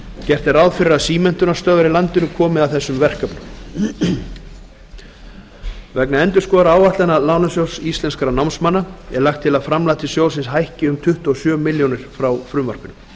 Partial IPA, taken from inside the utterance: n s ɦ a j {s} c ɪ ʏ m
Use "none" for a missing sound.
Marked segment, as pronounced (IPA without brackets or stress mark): h